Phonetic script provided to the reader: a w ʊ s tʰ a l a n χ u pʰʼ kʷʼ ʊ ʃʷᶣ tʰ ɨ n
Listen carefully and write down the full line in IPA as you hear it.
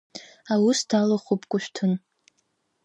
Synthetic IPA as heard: a w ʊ s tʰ a l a χ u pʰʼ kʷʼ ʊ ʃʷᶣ tʰ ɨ n